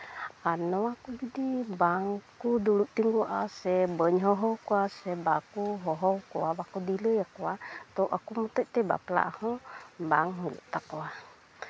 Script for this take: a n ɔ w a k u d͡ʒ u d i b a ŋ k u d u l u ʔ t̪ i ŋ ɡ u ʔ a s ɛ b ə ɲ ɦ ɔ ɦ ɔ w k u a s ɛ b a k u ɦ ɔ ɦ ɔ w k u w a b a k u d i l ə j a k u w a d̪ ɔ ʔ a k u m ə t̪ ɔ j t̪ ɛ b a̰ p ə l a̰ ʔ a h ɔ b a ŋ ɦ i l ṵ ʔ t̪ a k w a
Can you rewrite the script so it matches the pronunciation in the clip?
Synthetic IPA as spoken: a n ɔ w a k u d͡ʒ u d i b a ŋ k u d u l u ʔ t̪ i ŋ ɡ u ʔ a s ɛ b ə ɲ ɦ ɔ ɦ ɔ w k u a s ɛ b a k u ɦ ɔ ɦ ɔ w k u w a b a k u d i l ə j a k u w a t̪ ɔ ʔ a k u m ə t̪ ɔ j t̪ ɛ b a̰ p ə l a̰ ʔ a h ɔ b a ŋ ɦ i l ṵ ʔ t̪ a k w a